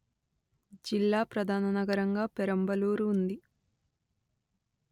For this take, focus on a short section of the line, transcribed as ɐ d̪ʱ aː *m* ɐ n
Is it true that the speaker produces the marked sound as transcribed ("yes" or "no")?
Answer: no